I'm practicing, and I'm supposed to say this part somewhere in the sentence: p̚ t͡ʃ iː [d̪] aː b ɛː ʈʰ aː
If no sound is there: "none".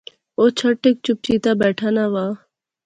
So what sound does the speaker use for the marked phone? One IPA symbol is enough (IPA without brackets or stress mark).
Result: t̪